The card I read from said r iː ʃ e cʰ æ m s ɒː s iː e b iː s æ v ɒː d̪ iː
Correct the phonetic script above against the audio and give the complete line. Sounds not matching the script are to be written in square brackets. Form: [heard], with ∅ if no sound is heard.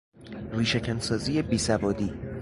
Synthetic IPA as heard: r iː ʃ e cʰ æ [n] s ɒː [z] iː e b iː s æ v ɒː d̪ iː